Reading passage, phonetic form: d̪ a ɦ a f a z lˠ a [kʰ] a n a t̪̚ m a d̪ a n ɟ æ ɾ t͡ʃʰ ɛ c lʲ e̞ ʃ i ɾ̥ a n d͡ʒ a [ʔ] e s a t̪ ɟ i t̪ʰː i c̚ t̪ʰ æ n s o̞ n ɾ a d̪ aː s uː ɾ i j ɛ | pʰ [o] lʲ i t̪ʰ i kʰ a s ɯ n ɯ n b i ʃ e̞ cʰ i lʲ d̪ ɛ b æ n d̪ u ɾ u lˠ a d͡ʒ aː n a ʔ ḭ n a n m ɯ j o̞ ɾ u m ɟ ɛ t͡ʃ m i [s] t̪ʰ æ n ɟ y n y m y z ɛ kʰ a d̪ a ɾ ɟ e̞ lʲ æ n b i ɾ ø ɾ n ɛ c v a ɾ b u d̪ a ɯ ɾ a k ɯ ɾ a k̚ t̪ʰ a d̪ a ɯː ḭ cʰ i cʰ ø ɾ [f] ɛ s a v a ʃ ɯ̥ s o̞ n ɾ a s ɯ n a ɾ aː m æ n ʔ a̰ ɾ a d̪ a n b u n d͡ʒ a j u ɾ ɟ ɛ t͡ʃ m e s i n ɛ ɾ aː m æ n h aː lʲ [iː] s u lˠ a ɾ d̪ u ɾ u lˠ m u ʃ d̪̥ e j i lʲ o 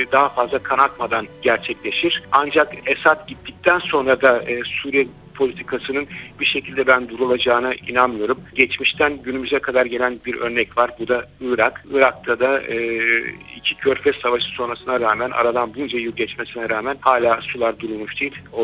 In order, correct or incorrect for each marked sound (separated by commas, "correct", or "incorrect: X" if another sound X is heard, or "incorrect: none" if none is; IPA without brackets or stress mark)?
correct, incorrect: k, correct, incorrect: ʃ, correct, incorrect: aː